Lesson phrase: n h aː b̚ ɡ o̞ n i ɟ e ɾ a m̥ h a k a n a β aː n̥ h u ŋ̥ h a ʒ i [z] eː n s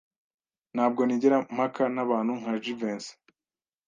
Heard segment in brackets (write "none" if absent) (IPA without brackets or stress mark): v